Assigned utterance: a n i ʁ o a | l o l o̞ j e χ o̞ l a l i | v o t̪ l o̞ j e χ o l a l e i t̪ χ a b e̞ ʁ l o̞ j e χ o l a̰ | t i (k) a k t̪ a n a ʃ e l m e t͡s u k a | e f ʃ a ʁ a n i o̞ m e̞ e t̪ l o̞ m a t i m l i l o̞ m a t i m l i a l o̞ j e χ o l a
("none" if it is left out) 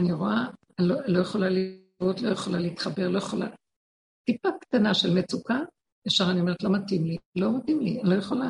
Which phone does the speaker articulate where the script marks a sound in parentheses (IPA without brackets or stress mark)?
p